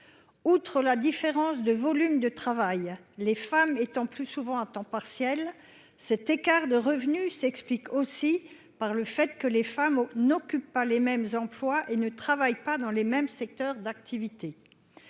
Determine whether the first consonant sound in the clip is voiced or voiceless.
voiceless